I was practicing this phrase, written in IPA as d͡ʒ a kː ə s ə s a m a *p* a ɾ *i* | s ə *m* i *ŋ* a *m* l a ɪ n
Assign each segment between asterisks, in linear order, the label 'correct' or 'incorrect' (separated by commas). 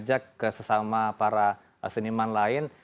correct, incorrect, incorrect, incorrect, incorrect